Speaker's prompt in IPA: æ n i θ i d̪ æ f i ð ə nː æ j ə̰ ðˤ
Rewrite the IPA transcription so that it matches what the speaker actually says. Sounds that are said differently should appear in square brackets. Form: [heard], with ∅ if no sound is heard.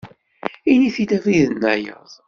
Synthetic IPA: [i] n i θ i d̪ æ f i ð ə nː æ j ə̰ ðˤ